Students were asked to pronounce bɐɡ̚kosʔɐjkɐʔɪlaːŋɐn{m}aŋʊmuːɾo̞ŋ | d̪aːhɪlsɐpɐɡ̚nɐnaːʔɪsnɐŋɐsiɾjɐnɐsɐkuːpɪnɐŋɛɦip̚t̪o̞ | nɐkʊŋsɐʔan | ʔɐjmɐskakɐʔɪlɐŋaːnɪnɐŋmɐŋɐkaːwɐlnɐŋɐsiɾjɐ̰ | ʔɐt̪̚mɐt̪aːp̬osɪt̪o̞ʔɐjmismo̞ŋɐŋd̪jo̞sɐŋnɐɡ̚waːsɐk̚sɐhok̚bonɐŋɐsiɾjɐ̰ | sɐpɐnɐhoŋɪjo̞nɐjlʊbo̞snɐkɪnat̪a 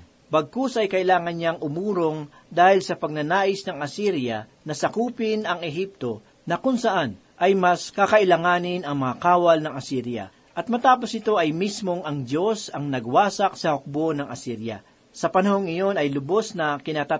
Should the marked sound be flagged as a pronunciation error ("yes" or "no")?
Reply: yes